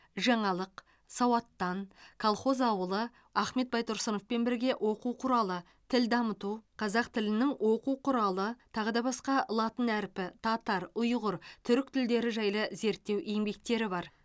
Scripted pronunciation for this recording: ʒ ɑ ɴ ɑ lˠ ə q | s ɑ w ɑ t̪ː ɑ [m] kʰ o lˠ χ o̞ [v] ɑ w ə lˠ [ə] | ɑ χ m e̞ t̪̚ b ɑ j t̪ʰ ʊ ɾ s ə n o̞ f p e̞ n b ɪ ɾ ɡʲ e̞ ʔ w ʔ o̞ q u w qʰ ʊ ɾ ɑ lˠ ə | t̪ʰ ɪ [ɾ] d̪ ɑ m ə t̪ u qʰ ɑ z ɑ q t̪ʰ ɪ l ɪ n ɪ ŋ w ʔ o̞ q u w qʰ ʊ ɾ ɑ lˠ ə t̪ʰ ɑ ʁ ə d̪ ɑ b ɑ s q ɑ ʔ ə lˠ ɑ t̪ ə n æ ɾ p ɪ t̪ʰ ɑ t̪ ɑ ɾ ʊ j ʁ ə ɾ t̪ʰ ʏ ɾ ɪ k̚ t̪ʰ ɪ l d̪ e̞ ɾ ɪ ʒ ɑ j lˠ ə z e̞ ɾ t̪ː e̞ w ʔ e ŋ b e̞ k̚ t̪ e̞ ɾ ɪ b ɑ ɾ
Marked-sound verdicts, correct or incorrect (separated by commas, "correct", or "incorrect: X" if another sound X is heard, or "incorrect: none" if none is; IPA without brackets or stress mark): incorrect: n, incorrect: z, correct, incorrect: l